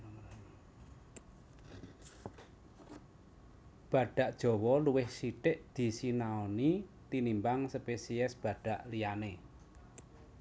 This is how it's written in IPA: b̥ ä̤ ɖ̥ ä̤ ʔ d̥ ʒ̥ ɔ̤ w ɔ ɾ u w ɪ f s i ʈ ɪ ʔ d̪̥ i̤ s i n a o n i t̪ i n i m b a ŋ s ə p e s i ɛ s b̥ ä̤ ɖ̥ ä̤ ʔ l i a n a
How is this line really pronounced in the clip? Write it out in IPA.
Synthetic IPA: b̥ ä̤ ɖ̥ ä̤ ʔ d̥ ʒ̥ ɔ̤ w ɔ l u w ɪ h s i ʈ ɪ ʔ d̪̥ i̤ s i n a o n i t̪ i n i m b a ŋ s ə p e s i ɛ s b̥ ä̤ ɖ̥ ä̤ ʔ l i a n e